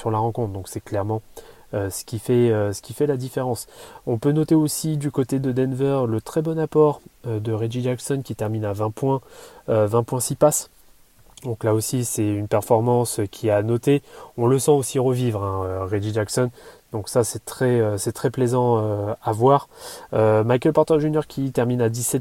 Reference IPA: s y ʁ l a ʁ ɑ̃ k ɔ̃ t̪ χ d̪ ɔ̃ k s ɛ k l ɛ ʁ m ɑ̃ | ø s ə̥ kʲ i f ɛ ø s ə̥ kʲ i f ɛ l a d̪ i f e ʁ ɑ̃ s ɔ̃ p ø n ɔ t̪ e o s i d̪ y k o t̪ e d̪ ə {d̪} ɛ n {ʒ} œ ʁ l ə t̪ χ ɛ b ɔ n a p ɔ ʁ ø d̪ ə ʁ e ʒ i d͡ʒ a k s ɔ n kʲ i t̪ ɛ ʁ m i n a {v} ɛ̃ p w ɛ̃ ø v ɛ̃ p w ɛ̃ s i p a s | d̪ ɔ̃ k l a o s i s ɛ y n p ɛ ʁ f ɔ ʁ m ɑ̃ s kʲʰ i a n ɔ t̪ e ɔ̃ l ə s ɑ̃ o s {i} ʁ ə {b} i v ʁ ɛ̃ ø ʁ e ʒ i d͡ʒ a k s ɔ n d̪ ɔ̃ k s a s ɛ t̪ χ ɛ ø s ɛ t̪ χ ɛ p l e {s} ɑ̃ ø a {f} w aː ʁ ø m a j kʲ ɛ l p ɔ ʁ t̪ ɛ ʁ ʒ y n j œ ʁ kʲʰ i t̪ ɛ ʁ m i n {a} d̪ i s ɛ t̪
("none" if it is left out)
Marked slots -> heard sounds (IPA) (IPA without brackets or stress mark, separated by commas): d̪, v, v, i, v, z, v, a